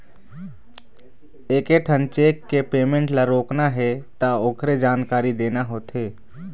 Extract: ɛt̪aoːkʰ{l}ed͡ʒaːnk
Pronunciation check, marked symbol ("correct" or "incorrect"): incorrect